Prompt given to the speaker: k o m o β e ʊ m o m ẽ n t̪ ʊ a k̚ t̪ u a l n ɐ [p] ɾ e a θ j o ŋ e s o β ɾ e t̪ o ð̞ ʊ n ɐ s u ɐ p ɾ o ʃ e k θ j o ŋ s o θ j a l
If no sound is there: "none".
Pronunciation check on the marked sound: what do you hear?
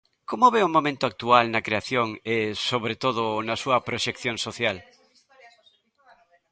k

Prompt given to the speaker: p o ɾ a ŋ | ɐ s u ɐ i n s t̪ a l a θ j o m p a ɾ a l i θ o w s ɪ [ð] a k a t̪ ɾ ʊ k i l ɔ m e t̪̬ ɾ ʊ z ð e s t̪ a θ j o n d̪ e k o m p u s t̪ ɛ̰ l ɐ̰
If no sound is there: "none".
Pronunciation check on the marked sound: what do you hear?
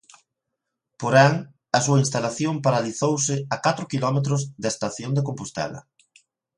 none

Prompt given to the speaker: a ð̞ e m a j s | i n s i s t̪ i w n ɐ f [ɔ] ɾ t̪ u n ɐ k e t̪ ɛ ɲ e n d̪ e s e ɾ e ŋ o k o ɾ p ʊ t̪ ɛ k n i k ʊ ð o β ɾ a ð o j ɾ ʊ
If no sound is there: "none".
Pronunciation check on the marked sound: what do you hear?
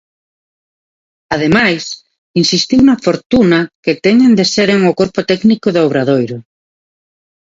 o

